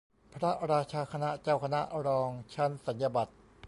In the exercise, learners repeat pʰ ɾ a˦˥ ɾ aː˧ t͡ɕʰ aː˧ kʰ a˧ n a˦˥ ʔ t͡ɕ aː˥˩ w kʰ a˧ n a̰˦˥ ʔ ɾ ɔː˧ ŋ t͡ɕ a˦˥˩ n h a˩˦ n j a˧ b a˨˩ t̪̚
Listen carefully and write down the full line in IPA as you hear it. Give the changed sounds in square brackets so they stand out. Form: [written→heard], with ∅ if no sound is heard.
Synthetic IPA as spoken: pʰ ɾ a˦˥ ɾ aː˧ t͡ɕʰ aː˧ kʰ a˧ n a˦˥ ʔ t͡ɕ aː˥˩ w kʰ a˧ n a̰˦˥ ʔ ɾ ɔː˧ ŋ [t͡ɕ→t͡ɕʰ] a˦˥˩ n [h→s] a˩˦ n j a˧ b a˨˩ t̪̚